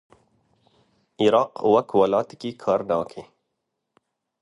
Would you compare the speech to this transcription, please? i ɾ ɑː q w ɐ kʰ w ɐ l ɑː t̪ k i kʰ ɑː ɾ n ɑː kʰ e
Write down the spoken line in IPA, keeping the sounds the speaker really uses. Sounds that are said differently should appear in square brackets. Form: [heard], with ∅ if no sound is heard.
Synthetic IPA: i ɾ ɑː q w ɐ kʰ w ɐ l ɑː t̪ k i kʰ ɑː ɾ n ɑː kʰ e